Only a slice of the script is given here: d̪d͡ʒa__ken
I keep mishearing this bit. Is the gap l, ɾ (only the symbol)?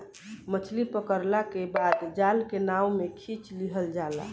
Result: l